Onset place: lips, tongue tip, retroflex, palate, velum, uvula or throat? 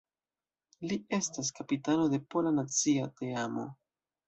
tongue tip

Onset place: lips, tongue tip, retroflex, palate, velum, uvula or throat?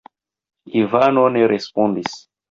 lips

